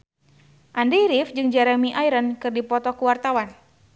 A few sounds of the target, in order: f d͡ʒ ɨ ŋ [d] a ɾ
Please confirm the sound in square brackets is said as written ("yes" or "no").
no